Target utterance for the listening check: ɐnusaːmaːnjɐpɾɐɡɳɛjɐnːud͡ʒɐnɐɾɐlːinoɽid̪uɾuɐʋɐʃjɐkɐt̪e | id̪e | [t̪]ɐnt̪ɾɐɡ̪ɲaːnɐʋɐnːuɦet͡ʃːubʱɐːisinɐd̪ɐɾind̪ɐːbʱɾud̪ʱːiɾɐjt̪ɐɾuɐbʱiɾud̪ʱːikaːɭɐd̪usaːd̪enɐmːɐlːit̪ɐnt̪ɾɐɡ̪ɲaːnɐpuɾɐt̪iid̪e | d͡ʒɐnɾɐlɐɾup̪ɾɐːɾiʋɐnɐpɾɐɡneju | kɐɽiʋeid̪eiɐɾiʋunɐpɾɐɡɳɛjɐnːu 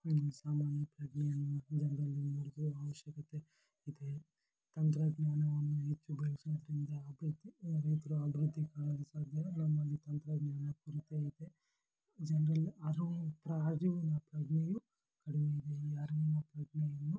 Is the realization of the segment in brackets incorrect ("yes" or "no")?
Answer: no